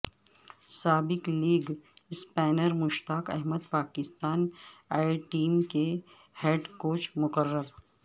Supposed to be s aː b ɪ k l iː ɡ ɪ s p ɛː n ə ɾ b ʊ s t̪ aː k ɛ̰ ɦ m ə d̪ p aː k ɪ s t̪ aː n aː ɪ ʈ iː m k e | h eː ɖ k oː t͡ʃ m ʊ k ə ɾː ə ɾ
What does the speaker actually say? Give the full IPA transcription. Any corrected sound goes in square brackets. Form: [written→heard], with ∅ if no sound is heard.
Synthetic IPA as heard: s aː b ɪ k l iː ɡ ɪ s p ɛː n ə ɾ [b→m] ʊ [s→ʃ] t̪ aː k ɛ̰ ɦ m ə d̪ p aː k ɪ s t̪ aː n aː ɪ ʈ iː m k e | h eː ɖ k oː t͡ʃ m ʊ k ə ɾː ə ɾ